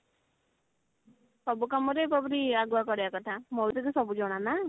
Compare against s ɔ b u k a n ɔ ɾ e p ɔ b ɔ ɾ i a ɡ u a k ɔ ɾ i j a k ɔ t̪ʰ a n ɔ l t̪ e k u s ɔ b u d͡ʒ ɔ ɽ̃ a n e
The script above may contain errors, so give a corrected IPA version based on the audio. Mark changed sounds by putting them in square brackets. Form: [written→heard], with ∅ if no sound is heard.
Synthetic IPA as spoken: s ɔ b u k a [n→m] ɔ ɾ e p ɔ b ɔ ɾ i a ɡ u a k ɔ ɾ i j a k ɔ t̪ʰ a [n→m] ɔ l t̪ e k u s ɔ b u d͡ʒ ɔ ɽ̃ a n [e→a]